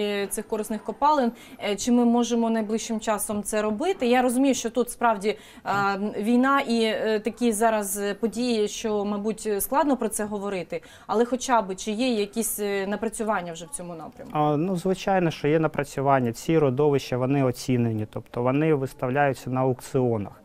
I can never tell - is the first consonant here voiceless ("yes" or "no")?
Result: yes